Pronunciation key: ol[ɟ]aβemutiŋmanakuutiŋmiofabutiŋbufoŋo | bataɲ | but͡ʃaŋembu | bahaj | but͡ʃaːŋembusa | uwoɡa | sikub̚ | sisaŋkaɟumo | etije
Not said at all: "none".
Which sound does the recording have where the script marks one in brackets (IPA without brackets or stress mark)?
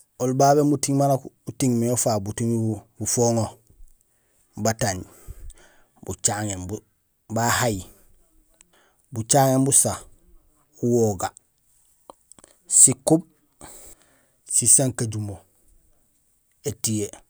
b